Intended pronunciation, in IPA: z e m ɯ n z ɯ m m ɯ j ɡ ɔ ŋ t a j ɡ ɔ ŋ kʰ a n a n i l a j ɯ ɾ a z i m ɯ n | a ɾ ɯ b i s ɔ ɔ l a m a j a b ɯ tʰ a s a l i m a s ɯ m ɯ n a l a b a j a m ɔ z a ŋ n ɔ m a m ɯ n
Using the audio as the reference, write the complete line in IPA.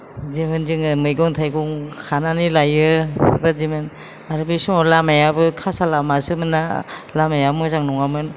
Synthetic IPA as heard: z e m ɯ n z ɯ ŋ m ɯ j ɡ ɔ ŋ tʰ a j ɡ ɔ ŋ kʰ a n a n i l a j ɯ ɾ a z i m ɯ n | a ɾ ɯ b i s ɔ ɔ l a m a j a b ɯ kʰ a s a l a m a s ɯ m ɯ n a l a m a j a m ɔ z a ŋ n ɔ ŋ a m ɯ n